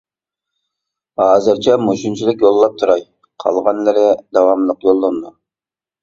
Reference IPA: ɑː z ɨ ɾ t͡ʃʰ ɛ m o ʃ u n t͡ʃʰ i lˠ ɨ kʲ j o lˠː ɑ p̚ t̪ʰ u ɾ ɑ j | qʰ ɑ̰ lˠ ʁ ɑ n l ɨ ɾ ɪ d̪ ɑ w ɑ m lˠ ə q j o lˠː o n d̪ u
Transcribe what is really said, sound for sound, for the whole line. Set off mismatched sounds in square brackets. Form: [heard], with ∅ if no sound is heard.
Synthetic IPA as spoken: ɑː z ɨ ɾ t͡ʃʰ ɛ m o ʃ u n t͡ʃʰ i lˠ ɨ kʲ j o lˠː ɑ p̚ t̪ʰ u ɾ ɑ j | qʰ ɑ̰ lˠ ʁ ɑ n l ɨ ɾ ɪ d̪ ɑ w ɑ m lˠ ə q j o lˠː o n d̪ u